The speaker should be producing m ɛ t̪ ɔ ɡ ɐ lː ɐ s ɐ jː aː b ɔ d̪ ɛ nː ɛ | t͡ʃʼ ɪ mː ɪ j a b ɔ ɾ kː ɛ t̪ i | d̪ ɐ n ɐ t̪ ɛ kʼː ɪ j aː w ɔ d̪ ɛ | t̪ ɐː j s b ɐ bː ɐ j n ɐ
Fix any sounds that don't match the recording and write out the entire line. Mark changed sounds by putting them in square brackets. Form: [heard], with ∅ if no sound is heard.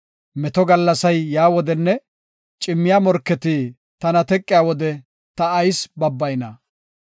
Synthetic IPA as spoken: m ɛ t̪ ɔ ɡ ɐ lː ɐ s ɐ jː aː [w] ɔ d̪ ɛ nː ɛ | t͡ʃʼ ɪ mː ɪ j a [m] ɔ ɾ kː ɛ t̪ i | [t̪] ɐ n ɐ t̪ ɛ kʼː ɪ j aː w ɔ d̪ ɛ | t̪ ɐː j s b ɐ bː ɐ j n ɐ